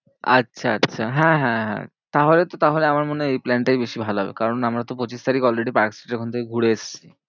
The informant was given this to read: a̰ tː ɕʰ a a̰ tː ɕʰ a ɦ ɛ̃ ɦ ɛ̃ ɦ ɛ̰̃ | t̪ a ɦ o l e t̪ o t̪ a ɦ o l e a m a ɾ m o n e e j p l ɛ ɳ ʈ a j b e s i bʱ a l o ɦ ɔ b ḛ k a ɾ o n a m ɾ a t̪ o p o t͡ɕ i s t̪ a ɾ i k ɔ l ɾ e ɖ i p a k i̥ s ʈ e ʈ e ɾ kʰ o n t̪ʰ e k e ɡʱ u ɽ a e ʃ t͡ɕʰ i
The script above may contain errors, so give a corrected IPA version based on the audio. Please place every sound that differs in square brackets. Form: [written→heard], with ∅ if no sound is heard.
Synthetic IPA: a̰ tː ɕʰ a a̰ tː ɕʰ a ɦ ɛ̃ ɦ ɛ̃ ɦ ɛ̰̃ | t̪ a ɦ o l e t̪ o t̪ a ɦ o l e a m a ɾ m o n e e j p l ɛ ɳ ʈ a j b e [s→ʃ] i bʱ a l o ɦ ɔ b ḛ k a ɾ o n a m ɾ a t̪ o p o t͡ɕ i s t̪ a ɾ i k ɔ l ɾ e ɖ i p a k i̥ s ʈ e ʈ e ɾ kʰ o n t̪ʰ e k e ɡʱ u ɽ [a→e] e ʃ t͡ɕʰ i